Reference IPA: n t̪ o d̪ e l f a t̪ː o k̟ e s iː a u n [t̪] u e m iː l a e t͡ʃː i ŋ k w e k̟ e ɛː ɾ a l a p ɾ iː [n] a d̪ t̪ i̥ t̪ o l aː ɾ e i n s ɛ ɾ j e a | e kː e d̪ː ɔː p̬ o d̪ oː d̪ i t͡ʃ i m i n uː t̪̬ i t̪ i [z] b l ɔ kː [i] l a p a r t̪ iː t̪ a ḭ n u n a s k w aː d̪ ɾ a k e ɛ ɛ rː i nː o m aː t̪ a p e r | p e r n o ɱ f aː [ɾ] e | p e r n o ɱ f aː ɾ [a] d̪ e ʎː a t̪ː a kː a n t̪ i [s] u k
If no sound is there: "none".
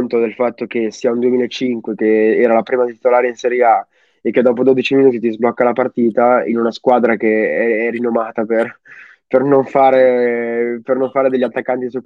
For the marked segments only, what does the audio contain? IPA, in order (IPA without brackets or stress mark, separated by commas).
d̪, m, z, a, ɾ, e, s